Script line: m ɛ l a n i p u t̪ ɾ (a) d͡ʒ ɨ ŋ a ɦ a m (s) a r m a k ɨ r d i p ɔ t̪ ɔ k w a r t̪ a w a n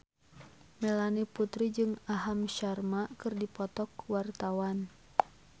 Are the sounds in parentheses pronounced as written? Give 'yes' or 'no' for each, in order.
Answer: no, no

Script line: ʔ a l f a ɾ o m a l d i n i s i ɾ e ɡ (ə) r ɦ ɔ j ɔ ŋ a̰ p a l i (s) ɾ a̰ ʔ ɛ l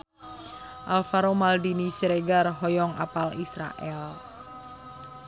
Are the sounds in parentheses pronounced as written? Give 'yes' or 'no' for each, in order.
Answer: no, yes

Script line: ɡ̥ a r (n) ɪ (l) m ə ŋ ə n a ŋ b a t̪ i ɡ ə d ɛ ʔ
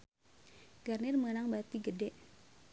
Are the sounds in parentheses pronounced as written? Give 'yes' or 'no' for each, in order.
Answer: yes, no

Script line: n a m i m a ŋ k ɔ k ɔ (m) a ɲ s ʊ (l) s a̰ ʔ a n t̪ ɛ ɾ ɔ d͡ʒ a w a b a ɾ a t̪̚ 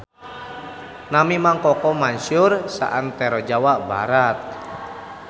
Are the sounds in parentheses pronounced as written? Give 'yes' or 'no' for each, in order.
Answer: yes, no

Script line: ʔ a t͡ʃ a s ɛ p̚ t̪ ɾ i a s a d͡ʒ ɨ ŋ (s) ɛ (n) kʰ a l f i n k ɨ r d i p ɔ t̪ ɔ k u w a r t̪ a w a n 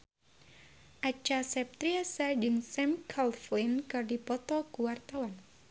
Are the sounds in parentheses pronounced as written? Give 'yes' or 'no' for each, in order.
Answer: yes, no

